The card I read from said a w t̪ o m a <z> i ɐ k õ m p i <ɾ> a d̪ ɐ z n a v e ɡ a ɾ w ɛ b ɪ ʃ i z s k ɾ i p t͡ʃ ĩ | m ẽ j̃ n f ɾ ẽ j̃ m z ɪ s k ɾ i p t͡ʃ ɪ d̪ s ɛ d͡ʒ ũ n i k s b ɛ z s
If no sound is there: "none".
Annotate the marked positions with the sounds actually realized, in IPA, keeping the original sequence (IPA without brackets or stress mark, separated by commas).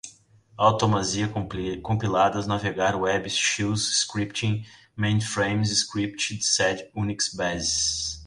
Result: z, l